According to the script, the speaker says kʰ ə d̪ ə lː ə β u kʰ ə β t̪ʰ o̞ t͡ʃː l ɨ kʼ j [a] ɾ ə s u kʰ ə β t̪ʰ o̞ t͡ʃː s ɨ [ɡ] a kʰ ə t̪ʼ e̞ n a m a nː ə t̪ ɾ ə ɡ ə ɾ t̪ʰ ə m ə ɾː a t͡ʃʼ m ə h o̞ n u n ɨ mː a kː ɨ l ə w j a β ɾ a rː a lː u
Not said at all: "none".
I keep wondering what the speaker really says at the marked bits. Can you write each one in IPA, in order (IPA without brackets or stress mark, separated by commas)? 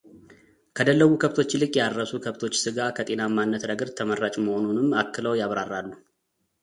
a, ɡ